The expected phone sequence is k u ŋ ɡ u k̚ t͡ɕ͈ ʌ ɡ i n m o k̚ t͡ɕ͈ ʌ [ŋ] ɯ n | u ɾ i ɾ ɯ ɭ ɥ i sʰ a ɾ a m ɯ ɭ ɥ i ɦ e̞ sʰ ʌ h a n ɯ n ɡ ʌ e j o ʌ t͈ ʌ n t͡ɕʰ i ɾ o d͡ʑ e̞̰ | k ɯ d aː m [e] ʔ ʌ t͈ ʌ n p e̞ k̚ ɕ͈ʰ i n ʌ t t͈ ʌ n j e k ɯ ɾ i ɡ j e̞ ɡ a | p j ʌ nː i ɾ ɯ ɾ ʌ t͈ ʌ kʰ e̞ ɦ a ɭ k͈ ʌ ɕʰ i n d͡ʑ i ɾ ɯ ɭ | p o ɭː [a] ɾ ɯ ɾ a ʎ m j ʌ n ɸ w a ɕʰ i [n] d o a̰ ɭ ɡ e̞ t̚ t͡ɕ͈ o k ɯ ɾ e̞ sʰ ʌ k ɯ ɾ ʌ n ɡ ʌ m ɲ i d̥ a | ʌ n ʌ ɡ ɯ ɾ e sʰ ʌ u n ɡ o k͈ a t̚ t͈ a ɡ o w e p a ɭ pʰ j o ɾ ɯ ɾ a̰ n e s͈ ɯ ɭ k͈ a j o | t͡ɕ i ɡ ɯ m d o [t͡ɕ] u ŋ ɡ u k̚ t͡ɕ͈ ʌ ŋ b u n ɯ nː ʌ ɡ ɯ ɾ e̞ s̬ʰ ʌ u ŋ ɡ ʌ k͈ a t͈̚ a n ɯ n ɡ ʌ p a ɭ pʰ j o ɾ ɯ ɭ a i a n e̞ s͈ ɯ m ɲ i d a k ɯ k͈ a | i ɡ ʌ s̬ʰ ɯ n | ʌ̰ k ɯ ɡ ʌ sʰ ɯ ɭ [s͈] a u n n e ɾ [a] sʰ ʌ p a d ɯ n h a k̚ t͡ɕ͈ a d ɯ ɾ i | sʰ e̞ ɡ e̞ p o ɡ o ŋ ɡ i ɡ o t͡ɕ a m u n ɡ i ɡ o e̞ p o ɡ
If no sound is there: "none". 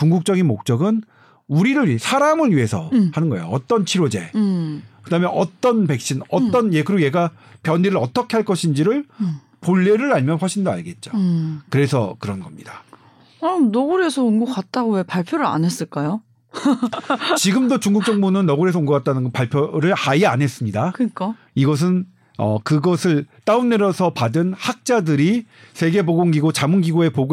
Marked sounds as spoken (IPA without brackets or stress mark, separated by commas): ɡ, e, e, n, t͡ɕ, t͈, ʌ